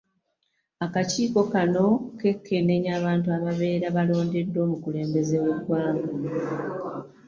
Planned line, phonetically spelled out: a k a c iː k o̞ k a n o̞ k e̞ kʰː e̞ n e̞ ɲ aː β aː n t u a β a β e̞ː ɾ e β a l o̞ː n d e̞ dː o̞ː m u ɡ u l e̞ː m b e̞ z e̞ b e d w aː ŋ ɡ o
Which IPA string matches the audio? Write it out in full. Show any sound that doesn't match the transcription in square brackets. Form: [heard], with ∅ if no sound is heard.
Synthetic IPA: a k a c iː k o̞ k a n o̞ k e̞ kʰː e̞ n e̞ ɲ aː β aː n t u a β a β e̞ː ɾ [a] β a l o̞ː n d e̞ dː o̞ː m u [k] u l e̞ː m b e̞ z e̞ [w] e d w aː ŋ ɡ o